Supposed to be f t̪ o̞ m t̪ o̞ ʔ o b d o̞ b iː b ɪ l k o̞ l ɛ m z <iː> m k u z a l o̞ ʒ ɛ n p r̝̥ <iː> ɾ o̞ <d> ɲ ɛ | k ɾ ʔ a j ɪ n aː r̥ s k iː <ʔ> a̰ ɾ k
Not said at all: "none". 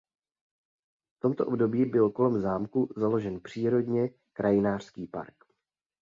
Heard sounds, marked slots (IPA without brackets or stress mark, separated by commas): aː, iː, d, p